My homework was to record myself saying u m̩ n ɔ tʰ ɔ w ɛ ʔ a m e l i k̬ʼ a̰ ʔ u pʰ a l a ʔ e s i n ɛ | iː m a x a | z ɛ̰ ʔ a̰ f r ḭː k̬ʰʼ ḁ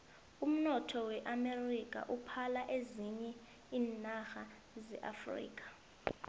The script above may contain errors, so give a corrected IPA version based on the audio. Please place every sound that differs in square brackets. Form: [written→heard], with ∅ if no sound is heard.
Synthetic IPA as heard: u m̩ n ɔ tʰ ɔ w ɛ ʔ a m e [l→r] i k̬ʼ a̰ ʔ u pʰ a l a ʔ e [s→z] i [n→ɲ] ɛ | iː [m→n] a x a | z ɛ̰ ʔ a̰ f r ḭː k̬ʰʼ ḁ